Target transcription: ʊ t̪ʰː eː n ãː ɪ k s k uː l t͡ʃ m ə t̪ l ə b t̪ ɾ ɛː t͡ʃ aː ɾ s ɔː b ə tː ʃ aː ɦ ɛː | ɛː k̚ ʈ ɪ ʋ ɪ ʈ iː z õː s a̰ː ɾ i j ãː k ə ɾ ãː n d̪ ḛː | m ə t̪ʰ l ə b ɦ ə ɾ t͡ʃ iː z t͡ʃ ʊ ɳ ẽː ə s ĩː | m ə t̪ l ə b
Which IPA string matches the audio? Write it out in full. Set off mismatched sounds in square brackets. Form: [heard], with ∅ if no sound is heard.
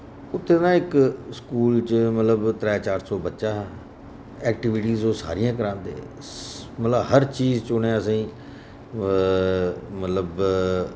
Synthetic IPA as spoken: ʊ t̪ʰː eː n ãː ɪ k s k uː l t͡ʃ m ə t̪ l ə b t̪ ɾ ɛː t͡ʃ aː ɾ s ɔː b ə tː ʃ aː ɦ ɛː | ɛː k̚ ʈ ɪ ʋ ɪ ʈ iː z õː s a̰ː ɾ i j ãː k ə ɾ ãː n d̪ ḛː | m ə [t̪] l ə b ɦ ə ɾ t͡ʃ iː z t͡ʃ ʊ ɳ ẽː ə s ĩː | m ə t̪ l ə b